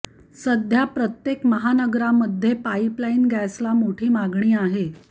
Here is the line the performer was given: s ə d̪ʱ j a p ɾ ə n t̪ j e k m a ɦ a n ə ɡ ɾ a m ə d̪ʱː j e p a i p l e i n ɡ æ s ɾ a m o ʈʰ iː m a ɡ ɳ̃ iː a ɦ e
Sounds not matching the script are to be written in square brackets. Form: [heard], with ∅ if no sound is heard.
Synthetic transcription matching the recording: s ə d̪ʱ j a p ɾ ə [∅] t̪ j e k m [ə] ɦ a n ə ɡ ɾ a m ə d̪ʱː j e p a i p l [a] i n ɡ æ s [l] a m o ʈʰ iː m a ɡ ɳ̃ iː a ɦ e

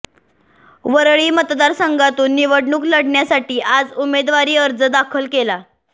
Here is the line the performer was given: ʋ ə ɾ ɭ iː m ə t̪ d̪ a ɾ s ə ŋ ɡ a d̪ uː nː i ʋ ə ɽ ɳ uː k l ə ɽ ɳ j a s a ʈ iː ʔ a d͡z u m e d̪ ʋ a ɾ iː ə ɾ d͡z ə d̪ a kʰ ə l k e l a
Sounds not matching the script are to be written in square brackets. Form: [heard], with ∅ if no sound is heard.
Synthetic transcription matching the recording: ʋ ə ɾ ɭ iː m ə t̪ d̪ a ɾ s ə ŋ ɡ a [t̪] uː nː i ʋ ə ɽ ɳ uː k l ə ɽ ɳ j a s a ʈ iː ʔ a d͡z u m e d̪ ʋ a ɾ iː ə ɾ d͡z ə d̪ a kʰ ə l k e l a

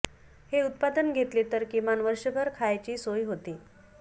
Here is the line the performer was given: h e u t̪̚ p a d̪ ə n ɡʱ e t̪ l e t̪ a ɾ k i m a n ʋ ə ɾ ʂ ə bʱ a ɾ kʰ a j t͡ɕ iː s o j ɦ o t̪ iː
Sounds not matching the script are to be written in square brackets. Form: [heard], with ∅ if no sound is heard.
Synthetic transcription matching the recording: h e u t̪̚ p a d̪ ə n ɡʱ e t̪ l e t̪ [ə] ɾ k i m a n ʋ ə ɾ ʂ ə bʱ [ə] ɾ kʰ a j t͡ɕ iː s o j ɦ o t̪ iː

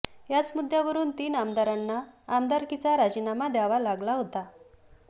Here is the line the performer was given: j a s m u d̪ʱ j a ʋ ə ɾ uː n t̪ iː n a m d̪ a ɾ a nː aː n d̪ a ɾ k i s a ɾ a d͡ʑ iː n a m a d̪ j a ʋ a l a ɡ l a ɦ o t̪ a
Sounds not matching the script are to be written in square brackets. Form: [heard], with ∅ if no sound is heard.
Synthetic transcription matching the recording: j a [t͡s] m u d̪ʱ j a ʋ ə ɾ uː n t̪ iː n a m d̪ a ɾ a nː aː [m] d̪ a ɾ k i [t͡s] a ɾ a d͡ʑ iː n a m a d̪ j a ʋ a l a ɡ l a ɦ o t̪ a

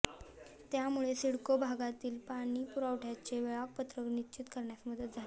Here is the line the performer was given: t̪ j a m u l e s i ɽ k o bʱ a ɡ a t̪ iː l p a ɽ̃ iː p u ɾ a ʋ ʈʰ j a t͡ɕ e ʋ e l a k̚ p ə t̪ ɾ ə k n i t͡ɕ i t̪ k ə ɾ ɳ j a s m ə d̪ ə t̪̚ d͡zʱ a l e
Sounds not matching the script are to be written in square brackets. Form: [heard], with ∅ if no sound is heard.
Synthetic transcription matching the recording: t̪ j a m u [ɭ] e s i ɽ k o bʱ a ɡ a t̪ iː l p a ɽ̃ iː p u ɾ a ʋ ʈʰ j a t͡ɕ e ʋ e [ɭ] a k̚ p ə t̪ ɾ ə k n i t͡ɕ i t̪ k ə ɾ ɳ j a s m ə d̪ ə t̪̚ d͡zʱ a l e

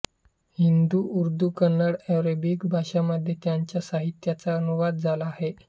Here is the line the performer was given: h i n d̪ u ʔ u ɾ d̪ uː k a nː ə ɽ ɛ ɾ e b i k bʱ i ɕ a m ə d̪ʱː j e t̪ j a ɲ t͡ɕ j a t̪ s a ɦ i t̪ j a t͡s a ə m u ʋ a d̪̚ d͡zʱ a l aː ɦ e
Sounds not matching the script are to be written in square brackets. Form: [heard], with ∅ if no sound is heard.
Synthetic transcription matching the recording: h i n d̪ u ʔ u ɾ d̪ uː k [ə] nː ə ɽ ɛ ɾ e b i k bʱ [a] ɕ a m ə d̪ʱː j e t̪ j a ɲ t͡ɕ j a [∅] s a ɦ i t̪ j a t͡s a ə [n] u ʋ a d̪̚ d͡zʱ a l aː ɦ e

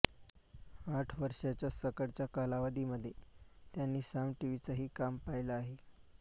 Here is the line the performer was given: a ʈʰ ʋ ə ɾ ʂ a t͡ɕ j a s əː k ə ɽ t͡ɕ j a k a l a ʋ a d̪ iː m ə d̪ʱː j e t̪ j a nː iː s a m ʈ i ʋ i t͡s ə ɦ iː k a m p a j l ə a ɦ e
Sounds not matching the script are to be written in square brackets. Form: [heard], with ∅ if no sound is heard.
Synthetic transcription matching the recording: a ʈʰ ʋ ə ɾ ʂ a t͡ɕ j a s [ə] k ə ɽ t͡ɕ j a k a l a ʋ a d̪ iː m ə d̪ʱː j e t̪ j a nː iː s a m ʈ i ʋ i t͡s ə ɦ iː k a m p a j l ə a ɦ e

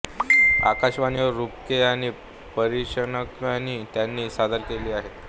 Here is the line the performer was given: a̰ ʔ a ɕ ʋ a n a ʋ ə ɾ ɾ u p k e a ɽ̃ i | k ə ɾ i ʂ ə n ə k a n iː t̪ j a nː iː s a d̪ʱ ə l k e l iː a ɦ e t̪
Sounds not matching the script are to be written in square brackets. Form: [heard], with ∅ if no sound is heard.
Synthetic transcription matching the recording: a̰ [k] a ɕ ʋ a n [i] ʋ ə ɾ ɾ u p k e a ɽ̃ i | [p] ə ɾ i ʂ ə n ə k a n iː t̪ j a nː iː s a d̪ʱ ə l k e l iː a ɦ e t̪

